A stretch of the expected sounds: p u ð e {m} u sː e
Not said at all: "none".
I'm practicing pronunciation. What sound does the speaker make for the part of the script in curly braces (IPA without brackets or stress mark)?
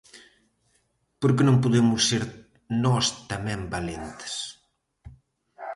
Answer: m